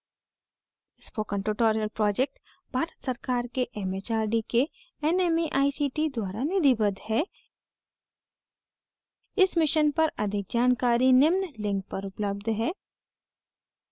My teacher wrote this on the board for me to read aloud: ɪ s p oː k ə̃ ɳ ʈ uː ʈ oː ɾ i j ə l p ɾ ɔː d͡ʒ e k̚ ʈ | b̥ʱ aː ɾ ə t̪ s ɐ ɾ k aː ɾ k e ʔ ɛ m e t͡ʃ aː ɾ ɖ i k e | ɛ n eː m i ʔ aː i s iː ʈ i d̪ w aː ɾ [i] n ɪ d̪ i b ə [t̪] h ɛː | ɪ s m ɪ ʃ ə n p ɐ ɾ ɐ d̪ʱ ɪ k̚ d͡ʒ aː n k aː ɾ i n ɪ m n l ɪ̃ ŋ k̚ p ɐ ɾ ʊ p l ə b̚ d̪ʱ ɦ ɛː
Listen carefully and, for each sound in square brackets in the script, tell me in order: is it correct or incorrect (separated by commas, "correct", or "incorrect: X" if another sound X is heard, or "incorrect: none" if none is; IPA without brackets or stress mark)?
incorrect: a, incorrect: d̪